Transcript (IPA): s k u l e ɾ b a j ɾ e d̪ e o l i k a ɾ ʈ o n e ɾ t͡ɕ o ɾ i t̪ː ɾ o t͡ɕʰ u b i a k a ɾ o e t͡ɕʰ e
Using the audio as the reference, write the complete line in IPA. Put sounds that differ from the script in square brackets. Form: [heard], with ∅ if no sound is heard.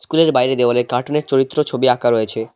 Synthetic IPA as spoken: s k u l e ɾ b a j ɾ e d̪ e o l [e] k a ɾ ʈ o n e ɾ t͡ɕ o ɾ i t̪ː ɾ o t͡ɕʰ [o] b i a k a ɾ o e t͡ɕʰ e